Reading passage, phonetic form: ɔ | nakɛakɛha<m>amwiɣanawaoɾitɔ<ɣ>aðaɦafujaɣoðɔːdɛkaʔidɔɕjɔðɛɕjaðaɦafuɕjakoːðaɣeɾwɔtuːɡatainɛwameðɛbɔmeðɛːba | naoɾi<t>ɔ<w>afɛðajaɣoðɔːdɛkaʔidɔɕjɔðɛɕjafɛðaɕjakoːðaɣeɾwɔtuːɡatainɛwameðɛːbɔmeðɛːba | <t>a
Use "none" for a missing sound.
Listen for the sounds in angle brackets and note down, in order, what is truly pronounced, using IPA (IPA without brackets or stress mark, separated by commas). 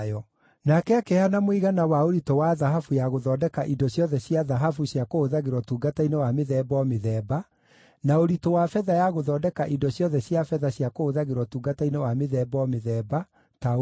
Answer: n, w, t, w, t